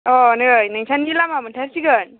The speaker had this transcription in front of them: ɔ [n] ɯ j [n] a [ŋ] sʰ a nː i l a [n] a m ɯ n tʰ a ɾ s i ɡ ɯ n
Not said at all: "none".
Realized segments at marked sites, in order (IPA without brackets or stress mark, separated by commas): n, n, ŋ, m